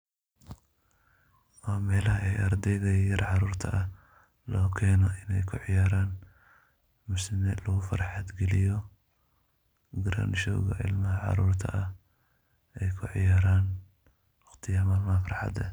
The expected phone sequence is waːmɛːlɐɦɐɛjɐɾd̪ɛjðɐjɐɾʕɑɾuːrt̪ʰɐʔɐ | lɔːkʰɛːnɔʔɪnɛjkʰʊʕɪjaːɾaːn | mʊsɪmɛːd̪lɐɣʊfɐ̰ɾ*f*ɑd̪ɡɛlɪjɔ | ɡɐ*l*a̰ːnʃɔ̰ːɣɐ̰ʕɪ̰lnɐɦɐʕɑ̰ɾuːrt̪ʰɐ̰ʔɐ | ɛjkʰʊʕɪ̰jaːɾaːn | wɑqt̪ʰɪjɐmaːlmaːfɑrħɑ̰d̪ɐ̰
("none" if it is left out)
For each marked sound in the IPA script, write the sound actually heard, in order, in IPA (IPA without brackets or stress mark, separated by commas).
ħ, ɾ